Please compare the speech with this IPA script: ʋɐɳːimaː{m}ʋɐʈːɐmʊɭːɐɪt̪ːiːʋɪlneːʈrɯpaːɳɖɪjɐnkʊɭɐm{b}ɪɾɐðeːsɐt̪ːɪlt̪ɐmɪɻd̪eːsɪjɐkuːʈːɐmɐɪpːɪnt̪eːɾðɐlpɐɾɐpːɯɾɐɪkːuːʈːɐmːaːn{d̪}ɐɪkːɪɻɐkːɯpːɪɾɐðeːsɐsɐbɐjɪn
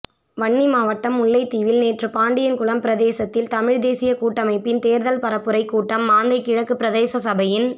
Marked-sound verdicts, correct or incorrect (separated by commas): incorrect, incorrect, correct